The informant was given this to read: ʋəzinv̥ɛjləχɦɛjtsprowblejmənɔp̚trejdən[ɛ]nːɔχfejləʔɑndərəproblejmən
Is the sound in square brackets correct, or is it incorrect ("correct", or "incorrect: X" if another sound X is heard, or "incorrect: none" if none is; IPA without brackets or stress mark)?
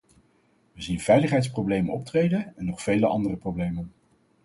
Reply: correct